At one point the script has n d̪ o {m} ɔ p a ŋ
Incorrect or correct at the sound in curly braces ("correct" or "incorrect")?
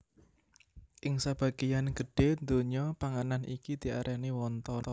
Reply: incorrect